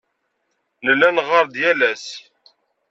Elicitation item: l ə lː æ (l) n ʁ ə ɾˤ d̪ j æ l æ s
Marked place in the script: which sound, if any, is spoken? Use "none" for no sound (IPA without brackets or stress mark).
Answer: none